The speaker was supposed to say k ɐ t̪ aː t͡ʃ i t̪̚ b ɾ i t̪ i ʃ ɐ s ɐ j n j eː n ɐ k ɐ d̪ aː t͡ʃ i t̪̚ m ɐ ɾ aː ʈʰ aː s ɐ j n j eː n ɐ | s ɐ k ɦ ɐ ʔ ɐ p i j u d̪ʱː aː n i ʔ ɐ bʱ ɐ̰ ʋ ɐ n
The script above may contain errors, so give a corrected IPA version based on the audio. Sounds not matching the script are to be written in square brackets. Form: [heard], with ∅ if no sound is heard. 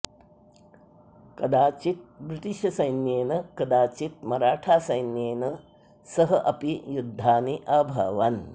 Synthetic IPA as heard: k ɐ [d̪] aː t͡ʃ i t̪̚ b ɾ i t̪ i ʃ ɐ s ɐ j n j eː n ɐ k ɐ d̪ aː t͡ʃ i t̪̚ m ɐ ɾ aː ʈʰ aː s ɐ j n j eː n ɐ | s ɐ [∅] ɦ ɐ ʔ ɐ p i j u d̪ʱː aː n i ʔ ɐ bʱ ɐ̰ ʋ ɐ n